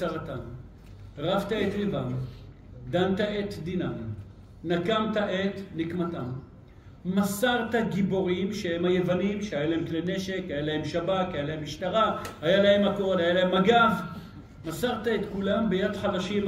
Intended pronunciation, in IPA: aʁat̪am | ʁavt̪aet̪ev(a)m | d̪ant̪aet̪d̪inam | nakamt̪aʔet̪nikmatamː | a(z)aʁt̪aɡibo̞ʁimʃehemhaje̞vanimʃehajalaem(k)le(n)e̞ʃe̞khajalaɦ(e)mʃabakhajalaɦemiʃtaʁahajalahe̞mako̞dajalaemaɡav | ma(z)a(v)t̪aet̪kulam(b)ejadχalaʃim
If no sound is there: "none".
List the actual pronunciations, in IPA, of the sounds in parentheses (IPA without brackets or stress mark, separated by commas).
a, s, k, n, e, s, ʁ, b